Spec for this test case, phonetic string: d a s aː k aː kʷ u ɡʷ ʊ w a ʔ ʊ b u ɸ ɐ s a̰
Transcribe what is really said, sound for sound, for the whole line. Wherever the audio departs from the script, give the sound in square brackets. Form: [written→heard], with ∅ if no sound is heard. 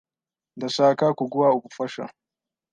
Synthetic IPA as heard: d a s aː k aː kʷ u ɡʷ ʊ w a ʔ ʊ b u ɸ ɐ [s→ʃ] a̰

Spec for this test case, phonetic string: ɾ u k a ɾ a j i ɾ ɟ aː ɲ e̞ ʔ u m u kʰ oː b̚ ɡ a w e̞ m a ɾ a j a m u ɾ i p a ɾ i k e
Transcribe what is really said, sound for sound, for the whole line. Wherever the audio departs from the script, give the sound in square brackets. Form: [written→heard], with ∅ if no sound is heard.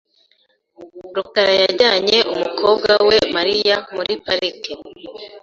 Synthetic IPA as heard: ɾ u k a ɾ a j [i→a] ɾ ɟ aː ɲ e̞ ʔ u m u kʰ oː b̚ ɡ a w e̞ m a ɾ [a→i] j a m u ɾ i p a ɾ i k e

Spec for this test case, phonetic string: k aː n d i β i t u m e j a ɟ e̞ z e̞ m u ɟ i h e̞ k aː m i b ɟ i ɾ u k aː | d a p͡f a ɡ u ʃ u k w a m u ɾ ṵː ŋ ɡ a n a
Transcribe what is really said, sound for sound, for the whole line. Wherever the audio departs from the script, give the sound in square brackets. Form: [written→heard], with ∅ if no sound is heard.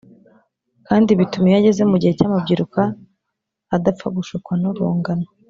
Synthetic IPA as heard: k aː n d i β i t u m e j a ɟ e̞ z e̞ m u ɟ i h e̞ [k→c] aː m [i→a] b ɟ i ɾ u k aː | d a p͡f a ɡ u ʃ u k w a [m→n] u ɾ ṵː ŋ ɡ a n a

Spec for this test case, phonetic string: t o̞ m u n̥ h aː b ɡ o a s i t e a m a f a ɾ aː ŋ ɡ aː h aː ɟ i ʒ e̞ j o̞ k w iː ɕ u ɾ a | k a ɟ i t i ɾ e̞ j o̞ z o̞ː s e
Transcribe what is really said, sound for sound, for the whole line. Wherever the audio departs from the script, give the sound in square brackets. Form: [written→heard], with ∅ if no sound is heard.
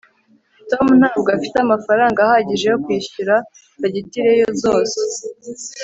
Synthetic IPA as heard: t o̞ m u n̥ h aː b ɡ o a [s→f] i t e a m a f a ɾ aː ŋ ɡ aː h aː ɟ i ʒ e̞ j o̞ k w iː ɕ u ɾ a | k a ɟ i t i ɾ e̞ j o̞ z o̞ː s e

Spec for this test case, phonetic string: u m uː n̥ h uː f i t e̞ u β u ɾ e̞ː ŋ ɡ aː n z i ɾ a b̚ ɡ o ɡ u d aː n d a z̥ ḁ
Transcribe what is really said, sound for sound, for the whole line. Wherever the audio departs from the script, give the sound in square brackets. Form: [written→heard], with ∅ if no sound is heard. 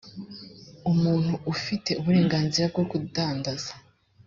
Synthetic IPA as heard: u m uː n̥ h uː f i t e̞ u β u ɾ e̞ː ŋ ɡ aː n z i ɾ a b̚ ɡ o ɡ u d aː n d a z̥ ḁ

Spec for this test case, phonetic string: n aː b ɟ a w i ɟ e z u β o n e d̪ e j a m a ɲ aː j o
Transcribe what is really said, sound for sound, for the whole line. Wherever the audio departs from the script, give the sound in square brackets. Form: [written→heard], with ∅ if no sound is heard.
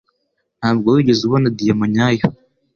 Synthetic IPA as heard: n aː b [ɟ→ɡ] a w i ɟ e z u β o n [e→a] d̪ [e→i] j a m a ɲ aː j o

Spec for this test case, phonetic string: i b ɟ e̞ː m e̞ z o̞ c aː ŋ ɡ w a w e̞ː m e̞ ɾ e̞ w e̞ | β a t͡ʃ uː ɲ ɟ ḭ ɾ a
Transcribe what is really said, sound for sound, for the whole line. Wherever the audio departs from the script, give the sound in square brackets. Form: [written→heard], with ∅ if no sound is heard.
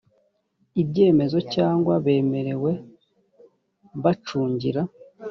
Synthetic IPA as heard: i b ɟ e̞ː m e̞ z o̞ c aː ŋ ɡ w a [w→β] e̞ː m e̞ ɾ e̞ w e̞ | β a t͡ʃ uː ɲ ɟ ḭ ɾ a

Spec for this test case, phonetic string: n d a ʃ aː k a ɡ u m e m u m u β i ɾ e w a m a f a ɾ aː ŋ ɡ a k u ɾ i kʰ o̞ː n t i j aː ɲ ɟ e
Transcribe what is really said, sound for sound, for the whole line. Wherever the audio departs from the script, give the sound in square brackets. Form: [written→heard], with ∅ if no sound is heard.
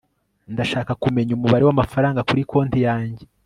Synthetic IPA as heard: n d a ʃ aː k a [ɡ→k] u m e [m→ɲ] u m u β [i→a] ɾ e w a m a f a ɾ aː ŋ ɡ a k u ɾ i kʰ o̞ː n t i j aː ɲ ɟ e

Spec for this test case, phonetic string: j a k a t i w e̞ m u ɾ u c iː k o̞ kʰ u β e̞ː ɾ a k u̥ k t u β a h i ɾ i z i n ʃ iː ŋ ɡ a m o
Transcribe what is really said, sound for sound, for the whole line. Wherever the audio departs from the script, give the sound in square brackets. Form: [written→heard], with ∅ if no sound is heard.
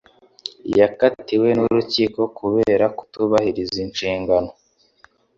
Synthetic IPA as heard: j a k a t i w e̞ [m→n] u ɾ u c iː k o̞ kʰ u β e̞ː ɾ a k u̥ [k→∅] t u β a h i ɾ i z i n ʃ iː ŋ ɡ a [m→n] o

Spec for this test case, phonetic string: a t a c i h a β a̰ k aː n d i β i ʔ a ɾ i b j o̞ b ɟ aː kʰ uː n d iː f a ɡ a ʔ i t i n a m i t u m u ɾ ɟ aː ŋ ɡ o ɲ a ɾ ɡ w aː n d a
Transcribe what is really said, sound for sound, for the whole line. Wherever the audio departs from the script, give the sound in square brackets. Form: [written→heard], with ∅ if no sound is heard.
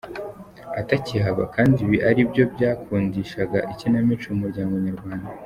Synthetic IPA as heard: a t a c i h a β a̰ k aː n d i β i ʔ a ɾ i b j o̞ b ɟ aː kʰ uː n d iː [f→ʃ] a ɡ a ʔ i [t→c] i n a m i [t→t͡ʃ] u m u ɾ ɟ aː ŋ ɡ o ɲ a ɾ ɡ w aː n d a

